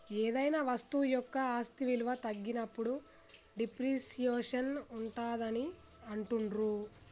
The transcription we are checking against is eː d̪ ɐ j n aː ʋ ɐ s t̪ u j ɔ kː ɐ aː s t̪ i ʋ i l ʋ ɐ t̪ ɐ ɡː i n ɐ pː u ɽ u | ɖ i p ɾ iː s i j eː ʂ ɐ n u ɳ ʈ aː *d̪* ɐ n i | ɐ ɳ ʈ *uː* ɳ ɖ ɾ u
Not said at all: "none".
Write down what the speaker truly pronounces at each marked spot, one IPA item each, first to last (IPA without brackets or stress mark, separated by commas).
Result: d̪, u